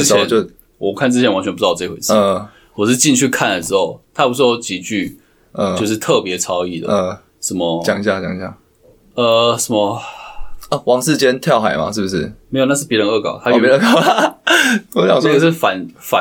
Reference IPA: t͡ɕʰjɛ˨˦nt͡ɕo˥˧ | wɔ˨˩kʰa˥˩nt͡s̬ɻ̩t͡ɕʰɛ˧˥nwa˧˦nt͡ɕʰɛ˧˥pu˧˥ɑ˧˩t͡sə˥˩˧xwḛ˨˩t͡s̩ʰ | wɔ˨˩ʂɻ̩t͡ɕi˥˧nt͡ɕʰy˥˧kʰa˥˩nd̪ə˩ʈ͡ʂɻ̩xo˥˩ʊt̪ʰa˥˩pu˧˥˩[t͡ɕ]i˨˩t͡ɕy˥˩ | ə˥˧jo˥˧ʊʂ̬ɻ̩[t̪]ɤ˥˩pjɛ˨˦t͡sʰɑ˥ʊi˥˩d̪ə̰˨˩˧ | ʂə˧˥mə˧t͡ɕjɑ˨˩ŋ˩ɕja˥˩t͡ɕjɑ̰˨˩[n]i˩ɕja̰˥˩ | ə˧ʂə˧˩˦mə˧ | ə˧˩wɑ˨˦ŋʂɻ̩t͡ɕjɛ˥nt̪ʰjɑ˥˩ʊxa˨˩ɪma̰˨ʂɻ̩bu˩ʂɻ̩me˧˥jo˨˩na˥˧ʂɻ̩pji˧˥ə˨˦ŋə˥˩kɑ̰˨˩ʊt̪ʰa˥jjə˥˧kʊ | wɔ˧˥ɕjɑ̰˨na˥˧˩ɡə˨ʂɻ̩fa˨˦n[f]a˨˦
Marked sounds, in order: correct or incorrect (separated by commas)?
correct, incorrect, incorrect, correct